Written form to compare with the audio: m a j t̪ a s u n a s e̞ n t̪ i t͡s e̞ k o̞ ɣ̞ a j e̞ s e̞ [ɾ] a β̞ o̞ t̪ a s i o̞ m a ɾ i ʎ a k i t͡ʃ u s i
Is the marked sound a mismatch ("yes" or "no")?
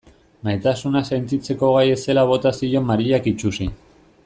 yes